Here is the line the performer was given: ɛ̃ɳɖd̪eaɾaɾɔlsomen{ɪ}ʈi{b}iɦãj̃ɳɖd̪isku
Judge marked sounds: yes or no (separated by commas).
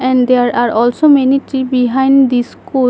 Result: no, yes